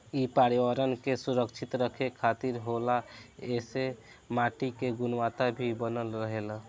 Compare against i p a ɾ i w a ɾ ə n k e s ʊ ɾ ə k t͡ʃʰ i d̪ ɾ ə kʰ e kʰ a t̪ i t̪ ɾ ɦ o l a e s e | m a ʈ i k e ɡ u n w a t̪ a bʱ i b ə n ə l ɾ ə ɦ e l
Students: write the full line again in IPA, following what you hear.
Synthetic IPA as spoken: i p a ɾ i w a ɾ ə n k e s u ɾ ə k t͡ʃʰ i t̪ ɾ ə kʰ e kʰ a t̪ i ɾ ɦ o l a e s e | m a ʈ i k e ɡ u n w a t̪ a bʱ i b ə n ə l ɾ ə ɦ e l